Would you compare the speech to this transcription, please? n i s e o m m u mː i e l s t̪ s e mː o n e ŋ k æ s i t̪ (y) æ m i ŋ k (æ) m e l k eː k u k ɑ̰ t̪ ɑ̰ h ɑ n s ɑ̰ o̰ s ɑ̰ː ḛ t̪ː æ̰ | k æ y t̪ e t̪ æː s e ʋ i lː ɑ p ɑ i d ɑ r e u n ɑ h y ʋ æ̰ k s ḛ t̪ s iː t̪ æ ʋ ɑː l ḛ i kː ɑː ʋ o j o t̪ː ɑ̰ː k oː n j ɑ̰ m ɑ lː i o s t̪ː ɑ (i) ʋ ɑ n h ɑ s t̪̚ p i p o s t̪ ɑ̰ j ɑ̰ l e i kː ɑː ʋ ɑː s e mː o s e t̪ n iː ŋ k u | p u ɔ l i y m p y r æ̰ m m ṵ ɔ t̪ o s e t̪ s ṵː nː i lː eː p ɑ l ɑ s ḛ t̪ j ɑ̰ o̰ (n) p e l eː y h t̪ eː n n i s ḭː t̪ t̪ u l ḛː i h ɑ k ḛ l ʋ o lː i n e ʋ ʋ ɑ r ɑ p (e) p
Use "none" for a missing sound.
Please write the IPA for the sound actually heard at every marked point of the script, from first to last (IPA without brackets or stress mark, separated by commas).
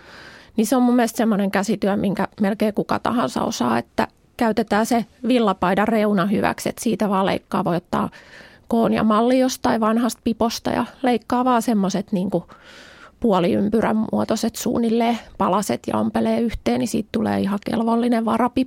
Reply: y, æ, i, m, i